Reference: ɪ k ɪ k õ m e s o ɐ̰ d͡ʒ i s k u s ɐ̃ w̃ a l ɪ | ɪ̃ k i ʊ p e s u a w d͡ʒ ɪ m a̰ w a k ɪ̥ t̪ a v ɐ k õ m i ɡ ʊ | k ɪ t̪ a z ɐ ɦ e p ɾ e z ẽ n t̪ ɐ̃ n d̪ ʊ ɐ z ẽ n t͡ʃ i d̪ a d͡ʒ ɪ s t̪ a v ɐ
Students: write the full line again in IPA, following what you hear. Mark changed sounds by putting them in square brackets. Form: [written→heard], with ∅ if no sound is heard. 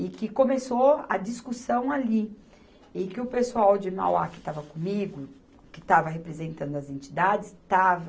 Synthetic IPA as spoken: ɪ k ɪ k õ m e s o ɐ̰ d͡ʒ i s k u s ɐ̃ w̃ a l [ɪ→i] | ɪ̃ k [i→ɪ] ʊ p e s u a w d͡ʒ ɪ m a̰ w a k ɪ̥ t̪ a v ɐ k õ m i ɡ ʊ | k ɪ t̪ a [z→v] ɐ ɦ e p ɾ e z ẽ n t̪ ɐ̃ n d̪ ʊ ɐ z ẽ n t͡ʃ i d̪ a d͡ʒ ɪ s t̪ a v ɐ